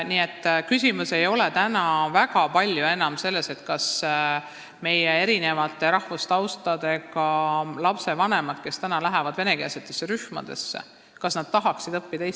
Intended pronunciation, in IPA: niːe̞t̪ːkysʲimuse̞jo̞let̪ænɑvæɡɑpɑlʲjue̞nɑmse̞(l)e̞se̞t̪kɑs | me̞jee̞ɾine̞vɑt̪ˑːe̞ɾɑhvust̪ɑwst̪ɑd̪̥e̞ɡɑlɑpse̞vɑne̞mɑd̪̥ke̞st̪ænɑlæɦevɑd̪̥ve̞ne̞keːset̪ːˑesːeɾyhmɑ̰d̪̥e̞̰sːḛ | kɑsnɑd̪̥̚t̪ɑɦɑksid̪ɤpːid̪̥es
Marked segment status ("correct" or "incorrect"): incorrect